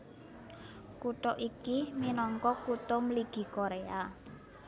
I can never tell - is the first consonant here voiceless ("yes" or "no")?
yes